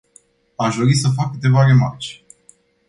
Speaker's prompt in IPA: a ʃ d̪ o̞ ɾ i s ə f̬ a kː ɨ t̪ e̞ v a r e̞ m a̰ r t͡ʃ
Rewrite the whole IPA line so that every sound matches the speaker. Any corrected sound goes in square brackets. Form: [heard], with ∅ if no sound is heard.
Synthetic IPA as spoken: a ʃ d̪ o̞ ɾ i s ə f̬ a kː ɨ t̪ e̞ v a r e̞ m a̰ r t͡ʃ